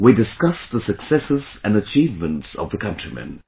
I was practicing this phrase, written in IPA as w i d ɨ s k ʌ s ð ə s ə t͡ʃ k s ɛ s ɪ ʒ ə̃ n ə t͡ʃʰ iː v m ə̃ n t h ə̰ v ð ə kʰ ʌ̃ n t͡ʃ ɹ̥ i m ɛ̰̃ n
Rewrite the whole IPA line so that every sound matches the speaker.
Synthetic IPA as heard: w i d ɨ s k ʌ s ð ə s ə k s ɛ s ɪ z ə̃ n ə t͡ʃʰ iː v m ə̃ n t s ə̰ v ð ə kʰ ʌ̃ n t͡ʃ ɹ̥ i m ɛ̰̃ n